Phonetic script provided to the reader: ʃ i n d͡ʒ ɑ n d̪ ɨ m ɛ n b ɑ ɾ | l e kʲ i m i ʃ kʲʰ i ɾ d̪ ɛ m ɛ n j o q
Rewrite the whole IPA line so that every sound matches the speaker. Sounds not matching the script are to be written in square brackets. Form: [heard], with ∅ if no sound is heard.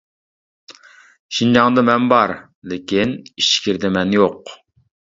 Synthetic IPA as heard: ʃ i n d͡ʒ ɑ [ŋ] d̪ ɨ m ɛ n b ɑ ɾ | l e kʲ i [n] i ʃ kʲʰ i ɾ d̪ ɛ m ɛ n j o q